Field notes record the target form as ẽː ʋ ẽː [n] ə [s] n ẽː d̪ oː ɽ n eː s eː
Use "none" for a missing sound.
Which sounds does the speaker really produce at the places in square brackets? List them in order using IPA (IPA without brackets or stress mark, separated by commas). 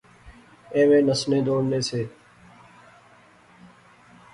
n, s